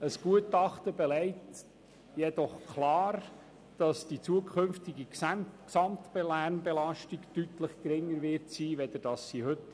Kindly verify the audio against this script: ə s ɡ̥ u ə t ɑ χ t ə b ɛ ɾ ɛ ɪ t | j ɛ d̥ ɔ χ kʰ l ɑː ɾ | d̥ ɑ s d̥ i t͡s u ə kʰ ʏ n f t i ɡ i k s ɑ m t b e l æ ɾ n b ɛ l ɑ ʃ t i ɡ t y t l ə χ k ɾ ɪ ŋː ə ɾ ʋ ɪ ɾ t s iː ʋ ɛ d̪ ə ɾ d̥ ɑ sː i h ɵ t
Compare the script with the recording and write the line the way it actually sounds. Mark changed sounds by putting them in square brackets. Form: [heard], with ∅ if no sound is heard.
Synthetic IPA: ə s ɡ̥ u ə t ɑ χ t ə b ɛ [l] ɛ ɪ t | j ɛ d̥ ɔ χ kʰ l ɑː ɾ | d̥ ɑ s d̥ i t͡s u ə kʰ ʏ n f t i ɡ i k s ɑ m t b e l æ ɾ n b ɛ l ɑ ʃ t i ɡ t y t l ə χ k ɾ ɪ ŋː ə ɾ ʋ ɪ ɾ t s iː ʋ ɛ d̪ ə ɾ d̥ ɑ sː i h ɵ t